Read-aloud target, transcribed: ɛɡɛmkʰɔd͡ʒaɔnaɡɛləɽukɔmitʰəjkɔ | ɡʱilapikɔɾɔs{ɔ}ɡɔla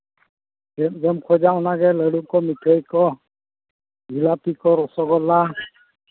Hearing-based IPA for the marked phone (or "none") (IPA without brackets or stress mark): ɔ